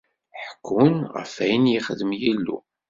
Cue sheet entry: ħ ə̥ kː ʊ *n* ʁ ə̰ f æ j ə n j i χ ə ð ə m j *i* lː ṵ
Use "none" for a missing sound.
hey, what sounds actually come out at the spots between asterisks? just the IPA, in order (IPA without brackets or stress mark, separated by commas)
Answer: n, i